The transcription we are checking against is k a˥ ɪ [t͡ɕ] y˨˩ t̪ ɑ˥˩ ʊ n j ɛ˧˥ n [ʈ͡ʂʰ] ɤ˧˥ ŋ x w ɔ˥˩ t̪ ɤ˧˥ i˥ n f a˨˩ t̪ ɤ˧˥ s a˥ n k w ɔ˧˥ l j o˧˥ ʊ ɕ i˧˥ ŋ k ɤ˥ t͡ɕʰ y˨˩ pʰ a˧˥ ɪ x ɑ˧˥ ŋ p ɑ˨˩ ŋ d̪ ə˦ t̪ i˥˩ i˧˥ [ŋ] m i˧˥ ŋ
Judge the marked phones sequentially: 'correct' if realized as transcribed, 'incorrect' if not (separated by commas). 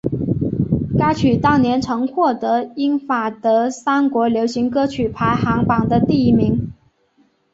incorrect, correct, incorrect